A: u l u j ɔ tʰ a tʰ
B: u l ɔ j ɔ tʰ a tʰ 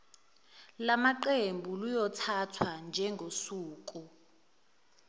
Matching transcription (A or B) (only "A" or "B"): A